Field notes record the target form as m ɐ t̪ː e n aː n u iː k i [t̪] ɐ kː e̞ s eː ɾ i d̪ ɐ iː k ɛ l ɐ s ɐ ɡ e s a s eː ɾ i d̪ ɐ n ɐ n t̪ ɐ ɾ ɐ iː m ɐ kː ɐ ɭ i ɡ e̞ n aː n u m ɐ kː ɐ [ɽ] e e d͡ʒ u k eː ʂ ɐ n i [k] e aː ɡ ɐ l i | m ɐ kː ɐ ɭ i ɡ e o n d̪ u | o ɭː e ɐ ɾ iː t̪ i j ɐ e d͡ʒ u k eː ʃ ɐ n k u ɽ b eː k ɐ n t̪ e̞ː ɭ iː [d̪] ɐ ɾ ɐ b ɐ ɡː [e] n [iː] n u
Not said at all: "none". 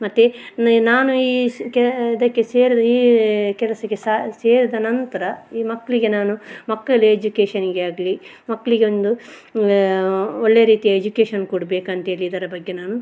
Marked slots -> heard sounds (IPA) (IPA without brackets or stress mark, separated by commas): d̪, ɭ, ɡ, d̪, e, aː